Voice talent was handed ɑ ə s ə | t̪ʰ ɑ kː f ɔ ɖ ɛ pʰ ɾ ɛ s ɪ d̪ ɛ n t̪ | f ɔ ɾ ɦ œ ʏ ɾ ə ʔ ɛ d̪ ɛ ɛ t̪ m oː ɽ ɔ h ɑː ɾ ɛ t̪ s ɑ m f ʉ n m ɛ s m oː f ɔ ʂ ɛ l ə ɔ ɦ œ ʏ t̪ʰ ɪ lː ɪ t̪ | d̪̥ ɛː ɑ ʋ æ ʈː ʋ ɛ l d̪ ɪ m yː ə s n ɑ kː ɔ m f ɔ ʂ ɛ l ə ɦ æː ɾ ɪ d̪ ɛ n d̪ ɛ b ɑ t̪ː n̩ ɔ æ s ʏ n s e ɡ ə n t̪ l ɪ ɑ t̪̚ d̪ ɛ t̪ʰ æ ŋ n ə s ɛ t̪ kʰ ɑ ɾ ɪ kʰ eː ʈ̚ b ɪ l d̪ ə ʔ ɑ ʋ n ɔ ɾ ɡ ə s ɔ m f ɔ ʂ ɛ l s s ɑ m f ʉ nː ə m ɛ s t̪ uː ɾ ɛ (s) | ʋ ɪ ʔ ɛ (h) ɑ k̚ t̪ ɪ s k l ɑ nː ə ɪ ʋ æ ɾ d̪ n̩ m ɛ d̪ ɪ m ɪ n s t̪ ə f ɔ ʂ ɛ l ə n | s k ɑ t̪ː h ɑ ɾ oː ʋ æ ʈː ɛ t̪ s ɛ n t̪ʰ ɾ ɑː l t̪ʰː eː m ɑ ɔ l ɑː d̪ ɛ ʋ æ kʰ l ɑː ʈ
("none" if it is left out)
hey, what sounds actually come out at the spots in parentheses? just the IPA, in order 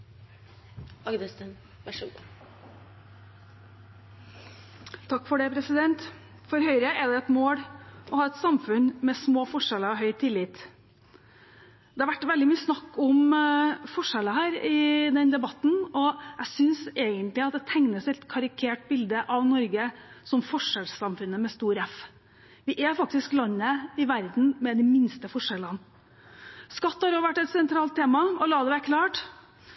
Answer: f, f

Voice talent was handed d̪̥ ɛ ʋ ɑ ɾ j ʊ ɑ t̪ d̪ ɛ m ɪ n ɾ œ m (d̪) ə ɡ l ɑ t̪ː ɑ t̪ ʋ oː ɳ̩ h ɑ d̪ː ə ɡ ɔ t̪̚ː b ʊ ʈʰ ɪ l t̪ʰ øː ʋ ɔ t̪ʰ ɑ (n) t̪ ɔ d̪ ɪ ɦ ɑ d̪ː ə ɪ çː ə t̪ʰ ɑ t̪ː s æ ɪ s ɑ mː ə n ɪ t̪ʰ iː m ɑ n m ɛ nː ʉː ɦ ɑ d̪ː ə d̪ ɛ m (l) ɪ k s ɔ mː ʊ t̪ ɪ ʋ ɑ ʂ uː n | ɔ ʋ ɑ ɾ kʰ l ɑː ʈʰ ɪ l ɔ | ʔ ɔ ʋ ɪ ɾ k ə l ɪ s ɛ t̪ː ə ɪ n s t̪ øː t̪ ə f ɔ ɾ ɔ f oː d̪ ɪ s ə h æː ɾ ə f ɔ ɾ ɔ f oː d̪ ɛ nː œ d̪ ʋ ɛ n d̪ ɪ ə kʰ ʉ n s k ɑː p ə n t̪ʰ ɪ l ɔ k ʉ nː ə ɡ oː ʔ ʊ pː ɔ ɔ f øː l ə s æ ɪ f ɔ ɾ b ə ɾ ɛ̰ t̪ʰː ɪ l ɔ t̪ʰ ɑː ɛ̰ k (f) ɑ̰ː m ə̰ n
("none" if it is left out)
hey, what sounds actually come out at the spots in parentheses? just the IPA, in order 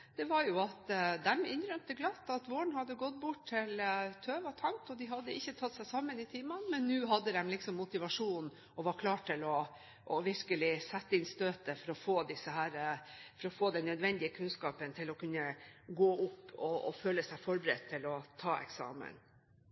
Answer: t̪, ŋ, l, s

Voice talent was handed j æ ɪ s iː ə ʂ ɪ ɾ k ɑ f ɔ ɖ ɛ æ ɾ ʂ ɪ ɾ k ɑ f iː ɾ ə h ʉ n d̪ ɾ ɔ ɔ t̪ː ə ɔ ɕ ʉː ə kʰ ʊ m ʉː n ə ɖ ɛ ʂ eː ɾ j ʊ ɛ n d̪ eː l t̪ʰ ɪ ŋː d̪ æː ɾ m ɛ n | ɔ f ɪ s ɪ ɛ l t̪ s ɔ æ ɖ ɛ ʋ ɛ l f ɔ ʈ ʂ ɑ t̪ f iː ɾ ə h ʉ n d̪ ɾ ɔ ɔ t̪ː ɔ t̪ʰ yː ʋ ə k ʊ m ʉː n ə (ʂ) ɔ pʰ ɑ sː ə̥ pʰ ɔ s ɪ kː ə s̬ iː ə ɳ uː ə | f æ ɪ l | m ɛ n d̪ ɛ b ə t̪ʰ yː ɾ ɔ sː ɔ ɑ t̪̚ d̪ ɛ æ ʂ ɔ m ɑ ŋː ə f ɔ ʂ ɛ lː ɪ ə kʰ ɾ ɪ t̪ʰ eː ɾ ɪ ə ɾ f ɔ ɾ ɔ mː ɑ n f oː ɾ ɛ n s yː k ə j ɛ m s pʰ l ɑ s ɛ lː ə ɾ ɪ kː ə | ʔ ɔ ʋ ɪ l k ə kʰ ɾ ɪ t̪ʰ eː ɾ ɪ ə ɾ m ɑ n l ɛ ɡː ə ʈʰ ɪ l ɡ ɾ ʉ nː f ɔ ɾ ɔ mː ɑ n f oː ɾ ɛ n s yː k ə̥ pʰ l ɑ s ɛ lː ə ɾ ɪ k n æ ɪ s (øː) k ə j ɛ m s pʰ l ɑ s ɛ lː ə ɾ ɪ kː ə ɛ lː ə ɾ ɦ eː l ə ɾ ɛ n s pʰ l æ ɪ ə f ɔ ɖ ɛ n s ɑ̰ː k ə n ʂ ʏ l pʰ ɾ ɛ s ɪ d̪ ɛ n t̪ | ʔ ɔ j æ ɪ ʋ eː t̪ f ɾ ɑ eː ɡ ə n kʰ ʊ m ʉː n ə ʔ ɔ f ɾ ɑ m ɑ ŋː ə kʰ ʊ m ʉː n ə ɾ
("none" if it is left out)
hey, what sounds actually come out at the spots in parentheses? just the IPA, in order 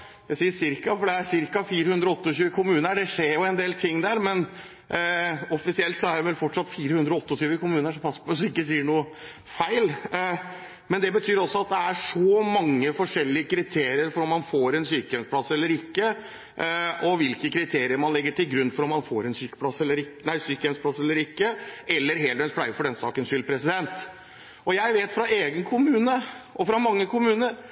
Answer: ʂ, yː

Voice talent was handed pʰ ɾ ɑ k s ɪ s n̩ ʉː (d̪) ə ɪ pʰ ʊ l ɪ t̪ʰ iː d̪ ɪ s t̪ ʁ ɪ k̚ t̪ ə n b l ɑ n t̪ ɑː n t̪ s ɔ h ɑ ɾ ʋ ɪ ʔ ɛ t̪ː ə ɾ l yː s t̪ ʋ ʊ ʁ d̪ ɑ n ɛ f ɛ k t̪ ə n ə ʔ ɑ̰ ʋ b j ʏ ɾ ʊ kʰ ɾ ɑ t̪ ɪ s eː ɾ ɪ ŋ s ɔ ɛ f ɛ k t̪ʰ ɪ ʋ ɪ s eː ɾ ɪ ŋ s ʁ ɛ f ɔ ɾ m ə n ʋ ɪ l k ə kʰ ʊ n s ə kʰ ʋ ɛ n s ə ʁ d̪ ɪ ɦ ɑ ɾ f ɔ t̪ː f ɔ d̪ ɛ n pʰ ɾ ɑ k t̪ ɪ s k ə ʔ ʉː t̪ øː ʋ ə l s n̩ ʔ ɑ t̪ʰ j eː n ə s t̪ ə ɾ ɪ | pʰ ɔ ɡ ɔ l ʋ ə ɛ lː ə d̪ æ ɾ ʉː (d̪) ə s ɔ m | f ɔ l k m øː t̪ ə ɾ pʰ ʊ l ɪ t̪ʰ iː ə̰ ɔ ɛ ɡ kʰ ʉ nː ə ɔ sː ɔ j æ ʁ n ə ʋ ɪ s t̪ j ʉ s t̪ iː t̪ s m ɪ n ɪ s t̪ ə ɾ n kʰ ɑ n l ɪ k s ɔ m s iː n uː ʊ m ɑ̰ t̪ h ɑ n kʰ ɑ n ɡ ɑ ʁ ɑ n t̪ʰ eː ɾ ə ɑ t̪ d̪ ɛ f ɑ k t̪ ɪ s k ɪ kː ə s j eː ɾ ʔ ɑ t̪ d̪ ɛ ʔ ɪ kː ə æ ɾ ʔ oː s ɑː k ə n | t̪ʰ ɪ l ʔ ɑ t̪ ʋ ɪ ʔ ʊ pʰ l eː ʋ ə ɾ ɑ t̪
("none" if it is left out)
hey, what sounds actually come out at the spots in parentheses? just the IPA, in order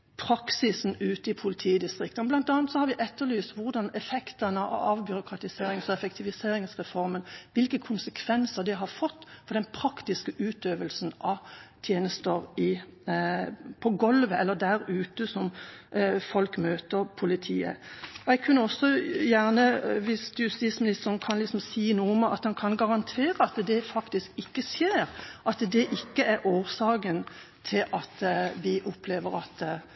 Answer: t̪, t̪

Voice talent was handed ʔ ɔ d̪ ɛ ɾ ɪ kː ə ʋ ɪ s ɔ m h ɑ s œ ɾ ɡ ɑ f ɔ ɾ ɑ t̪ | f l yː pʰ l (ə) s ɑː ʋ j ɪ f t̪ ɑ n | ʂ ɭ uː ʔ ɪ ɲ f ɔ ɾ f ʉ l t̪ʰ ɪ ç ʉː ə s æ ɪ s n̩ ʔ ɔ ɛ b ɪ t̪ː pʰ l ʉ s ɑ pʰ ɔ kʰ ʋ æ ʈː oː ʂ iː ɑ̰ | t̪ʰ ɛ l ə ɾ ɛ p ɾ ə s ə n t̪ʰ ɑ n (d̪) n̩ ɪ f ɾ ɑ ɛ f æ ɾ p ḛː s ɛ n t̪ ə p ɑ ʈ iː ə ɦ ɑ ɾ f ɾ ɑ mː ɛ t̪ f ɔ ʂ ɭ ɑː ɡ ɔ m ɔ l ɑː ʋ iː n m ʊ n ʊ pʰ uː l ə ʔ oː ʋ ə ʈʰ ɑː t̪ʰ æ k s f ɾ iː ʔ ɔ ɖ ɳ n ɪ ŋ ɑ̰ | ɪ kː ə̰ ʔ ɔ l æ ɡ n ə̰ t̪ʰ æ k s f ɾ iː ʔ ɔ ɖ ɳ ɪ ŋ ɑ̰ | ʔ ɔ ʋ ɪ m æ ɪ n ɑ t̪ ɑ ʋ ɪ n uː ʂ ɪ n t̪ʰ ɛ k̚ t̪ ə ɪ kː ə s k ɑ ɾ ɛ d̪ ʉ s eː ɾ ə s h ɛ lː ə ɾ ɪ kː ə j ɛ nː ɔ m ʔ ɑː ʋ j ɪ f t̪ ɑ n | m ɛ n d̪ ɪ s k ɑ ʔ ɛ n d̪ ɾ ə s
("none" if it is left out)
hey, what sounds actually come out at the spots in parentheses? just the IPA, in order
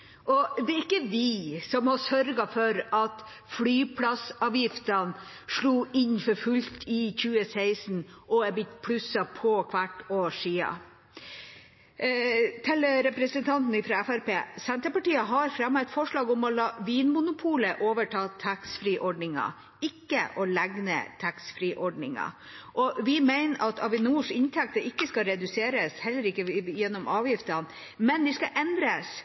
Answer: ɑ, t̪

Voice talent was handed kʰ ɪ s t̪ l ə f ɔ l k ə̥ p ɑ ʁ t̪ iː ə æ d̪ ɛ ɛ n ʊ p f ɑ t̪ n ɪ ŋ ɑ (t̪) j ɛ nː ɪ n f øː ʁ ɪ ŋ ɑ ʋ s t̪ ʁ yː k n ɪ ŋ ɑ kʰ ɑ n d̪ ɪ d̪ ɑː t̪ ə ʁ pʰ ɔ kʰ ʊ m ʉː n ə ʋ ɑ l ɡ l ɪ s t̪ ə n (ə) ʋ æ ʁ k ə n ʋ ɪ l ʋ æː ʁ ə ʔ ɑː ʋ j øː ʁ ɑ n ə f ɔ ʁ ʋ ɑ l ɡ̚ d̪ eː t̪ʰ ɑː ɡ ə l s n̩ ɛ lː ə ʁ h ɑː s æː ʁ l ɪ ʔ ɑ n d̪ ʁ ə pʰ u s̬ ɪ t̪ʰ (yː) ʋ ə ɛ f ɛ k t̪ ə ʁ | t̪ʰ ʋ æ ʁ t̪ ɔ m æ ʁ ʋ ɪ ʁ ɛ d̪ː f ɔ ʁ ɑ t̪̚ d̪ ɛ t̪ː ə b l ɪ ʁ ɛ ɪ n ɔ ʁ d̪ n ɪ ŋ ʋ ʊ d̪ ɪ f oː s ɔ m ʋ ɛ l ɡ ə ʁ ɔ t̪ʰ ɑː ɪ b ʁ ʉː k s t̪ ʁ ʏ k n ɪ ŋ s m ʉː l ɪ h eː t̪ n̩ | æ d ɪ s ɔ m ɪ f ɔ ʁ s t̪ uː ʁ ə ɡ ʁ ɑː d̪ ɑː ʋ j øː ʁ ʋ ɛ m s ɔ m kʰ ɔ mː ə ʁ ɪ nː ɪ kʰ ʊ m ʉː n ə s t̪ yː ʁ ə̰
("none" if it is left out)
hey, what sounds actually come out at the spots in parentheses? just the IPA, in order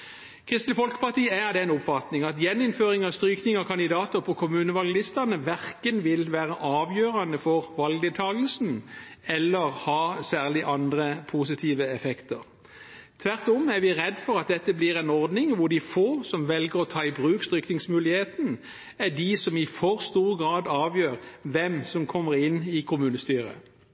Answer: t̪, ə, iː

